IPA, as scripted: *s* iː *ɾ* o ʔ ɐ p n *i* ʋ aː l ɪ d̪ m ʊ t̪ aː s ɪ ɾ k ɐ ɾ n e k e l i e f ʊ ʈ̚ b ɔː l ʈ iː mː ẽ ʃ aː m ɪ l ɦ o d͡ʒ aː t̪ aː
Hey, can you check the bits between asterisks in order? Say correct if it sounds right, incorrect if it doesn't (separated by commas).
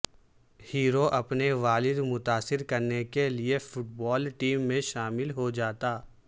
incorrect, correct, incorrect